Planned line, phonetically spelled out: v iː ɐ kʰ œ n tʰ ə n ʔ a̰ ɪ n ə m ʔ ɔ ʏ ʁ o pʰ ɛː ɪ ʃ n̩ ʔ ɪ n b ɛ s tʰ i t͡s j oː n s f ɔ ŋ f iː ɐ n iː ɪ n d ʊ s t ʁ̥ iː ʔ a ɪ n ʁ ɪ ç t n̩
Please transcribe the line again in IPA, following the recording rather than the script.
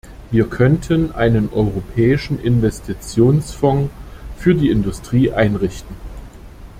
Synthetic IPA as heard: v iː ɐ kʰ œ n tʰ ə n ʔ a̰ ɪ n ə n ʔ ɔ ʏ ʁ o pʰ ɛː ɪ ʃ n̩ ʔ ɪ n v ɛ s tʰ i t͡s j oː n s f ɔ ŋ f yː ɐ d iː ɪ n d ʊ s t ʁ̥ iː ʔ a ɪ n ʁ ɪ ç t n̩